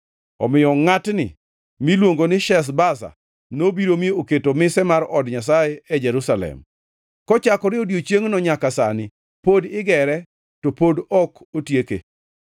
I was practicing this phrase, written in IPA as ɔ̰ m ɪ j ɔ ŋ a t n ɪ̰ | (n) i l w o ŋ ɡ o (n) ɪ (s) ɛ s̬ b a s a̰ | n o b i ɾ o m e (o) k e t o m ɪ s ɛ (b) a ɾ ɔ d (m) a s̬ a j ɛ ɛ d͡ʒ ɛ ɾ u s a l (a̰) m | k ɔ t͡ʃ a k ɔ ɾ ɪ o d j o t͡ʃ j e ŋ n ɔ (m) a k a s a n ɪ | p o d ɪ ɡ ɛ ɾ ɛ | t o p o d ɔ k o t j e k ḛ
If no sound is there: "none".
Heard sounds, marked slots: m, n, ʃ, o, m, ɲ, ɛ̰, ɲ

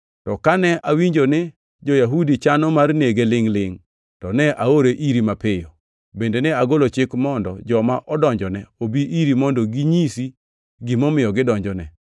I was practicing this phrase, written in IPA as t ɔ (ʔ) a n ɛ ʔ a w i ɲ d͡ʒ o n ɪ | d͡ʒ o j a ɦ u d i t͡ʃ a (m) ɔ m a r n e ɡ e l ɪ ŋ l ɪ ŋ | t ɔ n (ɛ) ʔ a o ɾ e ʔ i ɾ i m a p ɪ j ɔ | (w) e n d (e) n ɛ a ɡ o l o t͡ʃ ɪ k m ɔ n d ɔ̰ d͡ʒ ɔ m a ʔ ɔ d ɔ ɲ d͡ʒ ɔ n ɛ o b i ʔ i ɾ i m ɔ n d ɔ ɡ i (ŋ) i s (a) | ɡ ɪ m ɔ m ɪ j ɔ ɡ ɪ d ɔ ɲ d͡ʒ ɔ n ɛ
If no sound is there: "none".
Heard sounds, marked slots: k, n, ɛ, b, e, ɲ, i

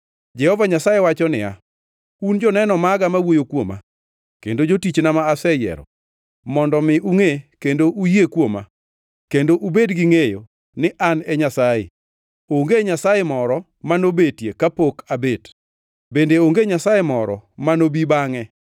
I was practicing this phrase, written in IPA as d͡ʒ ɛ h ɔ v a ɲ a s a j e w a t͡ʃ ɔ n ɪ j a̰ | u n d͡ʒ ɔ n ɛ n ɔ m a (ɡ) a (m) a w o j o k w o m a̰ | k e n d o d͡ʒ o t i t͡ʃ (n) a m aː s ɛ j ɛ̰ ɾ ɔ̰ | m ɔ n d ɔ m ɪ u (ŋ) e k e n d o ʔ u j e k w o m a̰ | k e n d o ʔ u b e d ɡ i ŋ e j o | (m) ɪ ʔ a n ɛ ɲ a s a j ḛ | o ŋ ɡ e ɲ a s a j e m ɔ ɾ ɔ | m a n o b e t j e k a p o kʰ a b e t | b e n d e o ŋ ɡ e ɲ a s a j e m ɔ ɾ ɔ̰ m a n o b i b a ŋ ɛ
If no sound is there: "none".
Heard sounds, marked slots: ɡ, m, n, ŋ, n

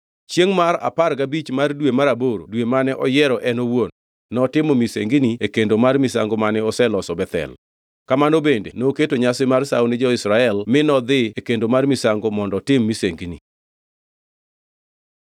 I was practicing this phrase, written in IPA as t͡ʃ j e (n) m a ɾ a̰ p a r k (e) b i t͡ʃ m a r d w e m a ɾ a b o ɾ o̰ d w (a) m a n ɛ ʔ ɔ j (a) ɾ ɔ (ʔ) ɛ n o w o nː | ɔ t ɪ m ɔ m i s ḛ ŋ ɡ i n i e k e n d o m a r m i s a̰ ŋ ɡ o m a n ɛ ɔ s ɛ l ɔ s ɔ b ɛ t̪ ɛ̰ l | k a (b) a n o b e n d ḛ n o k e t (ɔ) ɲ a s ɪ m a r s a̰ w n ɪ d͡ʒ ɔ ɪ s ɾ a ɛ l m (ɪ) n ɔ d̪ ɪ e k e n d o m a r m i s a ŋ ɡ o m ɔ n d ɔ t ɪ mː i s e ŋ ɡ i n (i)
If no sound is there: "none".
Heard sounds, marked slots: ŋ, a, e, ɛ, ʔ, m, o, ɪ, i

